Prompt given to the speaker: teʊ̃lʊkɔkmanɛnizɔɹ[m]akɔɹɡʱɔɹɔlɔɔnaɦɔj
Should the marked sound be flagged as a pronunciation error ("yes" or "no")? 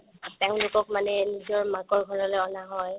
no